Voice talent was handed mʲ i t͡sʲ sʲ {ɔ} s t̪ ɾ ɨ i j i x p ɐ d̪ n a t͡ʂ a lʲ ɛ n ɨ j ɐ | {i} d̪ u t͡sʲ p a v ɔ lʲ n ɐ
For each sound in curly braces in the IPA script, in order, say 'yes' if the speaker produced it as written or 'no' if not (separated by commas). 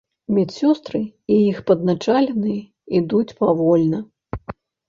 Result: yes, yes